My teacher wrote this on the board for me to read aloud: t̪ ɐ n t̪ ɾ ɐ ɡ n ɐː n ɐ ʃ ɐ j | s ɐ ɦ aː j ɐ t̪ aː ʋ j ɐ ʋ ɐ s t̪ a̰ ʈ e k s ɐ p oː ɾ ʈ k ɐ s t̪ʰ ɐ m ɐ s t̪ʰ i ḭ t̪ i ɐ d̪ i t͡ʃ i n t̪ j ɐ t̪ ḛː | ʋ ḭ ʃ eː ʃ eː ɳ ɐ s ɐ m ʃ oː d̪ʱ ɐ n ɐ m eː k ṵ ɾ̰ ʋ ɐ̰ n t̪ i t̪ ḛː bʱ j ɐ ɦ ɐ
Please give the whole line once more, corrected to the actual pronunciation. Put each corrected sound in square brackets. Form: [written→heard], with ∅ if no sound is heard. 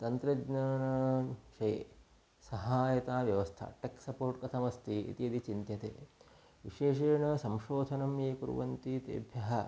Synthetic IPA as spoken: t̪ ɐ n t̪ ɾ ɐ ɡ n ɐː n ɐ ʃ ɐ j | s ɐ ɦ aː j ɐ t̪ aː ʋ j ɐ ʋ ɐ s [t̪→t̪ʰ] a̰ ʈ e k s ɐ p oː ɾ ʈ k ɐ [s→∅] t̪ʰ ɐ m ɐ s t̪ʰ i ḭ t̪ i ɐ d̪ i t͡ʃ i n t̪ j ɐ t̪ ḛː | ʋ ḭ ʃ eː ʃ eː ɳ ɐ s ɐ m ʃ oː d̪ʱ ɐ n ɐ m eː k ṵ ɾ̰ ʋ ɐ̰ n t̪ i t̪ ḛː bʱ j ɐ ɦ ɐ